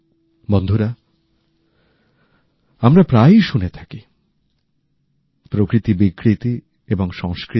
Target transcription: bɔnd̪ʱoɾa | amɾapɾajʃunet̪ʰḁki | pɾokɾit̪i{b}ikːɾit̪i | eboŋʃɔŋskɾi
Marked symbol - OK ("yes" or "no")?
yes